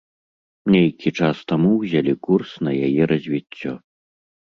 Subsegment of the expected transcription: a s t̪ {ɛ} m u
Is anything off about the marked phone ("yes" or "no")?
yes